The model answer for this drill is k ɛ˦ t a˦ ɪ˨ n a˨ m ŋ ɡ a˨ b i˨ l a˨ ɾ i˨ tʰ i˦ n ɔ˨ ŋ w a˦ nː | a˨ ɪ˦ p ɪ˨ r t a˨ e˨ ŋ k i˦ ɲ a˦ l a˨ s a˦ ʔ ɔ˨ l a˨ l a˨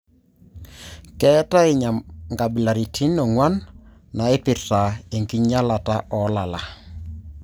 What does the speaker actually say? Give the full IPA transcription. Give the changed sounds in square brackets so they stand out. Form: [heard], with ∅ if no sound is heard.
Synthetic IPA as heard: k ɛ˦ t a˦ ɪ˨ [ɲ] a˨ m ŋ ɡ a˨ b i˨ l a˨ ɾ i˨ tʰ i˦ n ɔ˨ ŋ w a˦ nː | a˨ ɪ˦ p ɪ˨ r t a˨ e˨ ŋ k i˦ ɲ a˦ l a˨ [t] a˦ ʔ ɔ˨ l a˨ l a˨